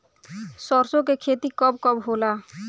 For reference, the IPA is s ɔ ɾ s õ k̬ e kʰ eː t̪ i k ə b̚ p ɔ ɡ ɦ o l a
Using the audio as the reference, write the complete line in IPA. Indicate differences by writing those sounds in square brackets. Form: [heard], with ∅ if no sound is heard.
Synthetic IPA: s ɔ ɾ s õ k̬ e kʰ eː t̪ i k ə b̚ [k] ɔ [b] ɦ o l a